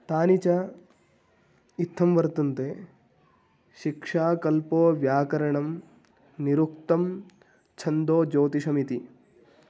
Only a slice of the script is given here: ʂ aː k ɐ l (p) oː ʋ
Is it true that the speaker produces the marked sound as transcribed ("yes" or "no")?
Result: yes